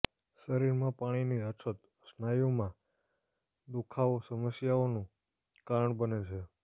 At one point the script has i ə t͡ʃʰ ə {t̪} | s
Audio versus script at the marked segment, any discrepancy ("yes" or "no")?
no